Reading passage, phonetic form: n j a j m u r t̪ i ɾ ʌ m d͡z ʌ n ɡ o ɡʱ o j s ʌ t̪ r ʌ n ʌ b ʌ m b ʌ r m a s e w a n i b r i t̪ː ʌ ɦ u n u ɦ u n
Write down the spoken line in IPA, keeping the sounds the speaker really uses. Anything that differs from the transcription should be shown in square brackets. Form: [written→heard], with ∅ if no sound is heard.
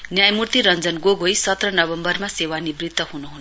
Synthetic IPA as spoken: n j a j m u r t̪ i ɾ ʌ [m→n] d͡z ʌ n ɡ o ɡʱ o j s ʌ t̪ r ʌ n ʌ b ʌ m b ʌ r m a s e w a n i b r i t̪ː ʌ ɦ u n u ɦ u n